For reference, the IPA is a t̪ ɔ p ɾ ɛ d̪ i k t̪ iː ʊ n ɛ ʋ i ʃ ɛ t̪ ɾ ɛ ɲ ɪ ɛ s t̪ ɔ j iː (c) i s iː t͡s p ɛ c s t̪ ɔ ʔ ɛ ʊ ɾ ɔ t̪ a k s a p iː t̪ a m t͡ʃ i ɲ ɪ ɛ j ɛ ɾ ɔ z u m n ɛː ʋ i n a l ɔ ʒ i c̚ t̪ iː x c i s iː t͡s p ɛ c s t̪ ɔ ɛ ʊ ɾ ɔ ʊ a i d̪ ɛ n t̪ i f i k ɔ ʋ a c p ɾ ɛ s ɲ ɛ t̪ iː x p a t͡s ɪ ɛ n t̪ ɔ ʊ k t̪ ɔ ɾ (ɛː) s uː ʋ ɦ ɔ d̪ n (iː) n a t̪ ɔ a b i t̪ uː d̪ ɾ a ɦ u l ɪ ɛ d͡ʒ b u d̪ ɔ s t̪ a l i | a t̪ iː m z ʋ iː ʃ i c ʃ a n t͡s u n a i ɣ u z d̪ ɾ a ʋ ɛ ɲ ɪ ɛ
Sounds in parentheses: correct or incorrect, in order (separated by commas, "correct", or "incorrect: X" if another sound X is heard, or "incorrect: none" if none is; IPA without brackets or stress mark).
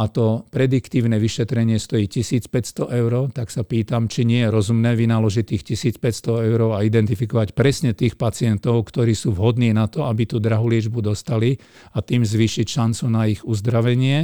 correct, incorrect: iː, correct